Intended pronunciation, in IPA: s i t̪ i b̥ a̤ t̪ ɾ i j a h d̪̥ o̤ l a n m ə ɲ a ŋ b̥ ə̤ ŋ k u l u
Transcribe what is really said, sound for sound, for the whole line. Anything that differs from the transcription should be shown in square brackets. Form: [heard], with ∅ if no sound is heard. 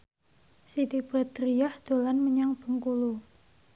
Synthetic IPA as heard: s i t̪ i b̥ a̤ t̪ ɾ i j a h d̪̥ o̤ l a n m ə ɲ a ŋ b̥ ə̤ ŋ k u l u